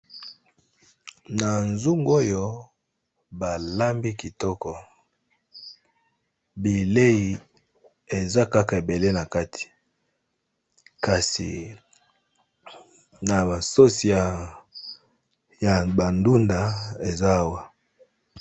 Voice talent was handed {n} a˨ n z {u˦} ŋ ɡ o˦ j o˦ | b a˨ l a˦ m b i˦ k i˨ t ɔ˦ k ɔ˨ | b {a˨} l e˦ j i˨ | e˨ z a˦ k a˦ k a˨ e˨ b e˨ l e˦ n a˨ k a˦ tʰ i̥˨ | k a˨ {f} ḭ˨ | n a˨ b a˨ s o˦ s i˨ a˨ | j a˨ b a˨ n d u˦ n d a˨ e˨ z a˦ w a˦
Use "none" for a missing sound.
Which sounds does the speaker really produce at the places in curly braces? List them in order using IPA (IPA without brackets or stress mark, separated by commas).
n, u˦, i˨, s